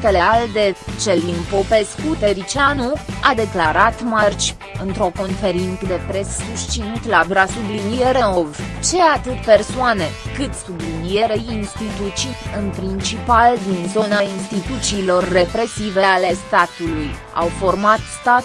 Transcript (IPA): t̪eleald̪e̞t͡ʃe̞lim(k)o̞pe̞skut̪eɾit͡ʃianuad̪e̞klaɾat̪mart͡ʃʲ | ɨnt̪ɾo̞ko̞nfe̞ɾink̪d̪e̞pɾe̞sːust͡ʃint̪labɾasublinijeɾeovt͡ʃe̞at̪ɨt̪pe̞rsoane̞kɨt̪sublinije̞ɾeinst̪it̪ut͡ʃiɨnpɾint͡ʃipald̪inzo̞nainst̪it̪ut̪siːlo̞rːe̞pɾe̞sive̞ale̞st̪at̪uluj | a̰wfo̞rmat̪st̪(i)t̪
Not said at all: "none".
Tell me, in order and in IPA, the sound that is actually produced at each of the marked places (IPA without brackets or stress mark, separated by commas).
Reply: p, a